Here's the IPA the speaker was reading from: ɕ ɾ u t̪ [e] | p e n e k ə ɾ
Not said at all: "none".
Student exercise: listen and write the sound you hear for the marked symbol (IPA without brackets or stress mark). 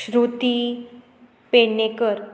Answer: i